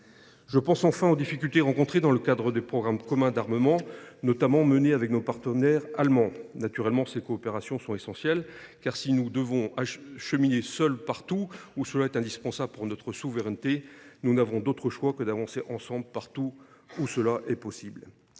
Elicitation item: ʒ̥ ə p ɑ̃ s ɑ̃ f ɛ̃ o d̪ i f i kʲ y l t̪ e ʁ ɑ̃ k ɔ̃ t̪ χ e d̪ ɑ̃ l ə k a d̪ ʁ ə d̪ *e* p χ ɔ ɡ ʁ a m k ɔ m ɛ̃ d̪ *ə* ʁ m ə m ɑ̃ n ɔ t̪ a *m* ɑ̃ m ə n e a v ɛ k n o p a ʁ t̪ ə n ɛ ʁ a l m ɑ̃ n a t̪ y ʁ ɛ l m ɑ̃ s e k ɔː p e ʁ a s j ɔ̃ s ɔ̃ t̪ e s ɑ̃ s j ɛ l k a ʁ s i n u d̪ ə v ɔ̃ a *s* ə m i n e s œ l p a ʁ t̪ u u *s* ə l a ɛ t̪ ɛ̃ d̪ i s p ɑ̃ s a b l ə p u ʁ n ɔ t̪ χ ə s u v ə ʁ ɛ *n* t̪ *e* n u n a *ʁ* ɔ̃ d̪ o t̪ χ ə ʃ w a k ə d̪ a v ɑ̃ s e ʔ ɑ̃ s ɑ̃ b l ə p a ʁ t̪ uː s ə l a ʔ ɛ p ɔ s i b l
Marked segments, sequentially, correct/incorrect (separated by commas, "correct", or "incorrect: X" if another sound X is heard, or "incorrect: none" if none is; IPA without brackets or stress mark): correct, incorrect: a, correct, incorrect: ʃ, correct, correct, correct, incorrect: v